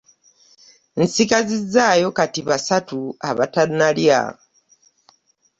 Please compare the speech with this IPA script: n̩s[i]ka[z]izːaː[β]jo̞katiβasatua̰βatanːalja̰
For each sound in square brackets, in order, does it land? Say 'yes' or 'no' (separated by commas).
yes, yes, no